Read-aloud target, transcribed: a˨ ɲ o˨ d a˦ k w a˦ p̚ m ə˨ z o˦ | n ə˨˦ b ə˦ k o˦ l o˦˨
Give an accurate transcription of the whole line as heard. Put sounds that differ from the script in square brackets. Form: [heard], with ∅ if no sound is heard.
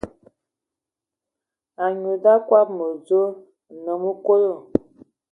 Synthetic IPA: a˨ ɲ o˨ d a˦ k w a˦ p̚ m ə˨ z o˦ | n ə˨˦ [m] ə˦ k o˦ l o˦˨